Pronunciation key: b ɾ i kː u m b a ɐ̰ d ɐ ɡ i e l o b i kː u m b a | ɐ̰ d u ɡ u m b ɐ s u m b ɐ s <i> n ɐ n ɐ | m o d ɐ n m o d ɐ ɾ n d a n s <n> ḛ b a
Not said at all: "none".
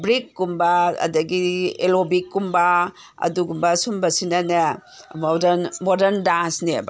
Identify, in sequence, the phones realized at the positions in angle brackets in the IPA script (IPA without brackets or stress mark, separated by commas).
i, n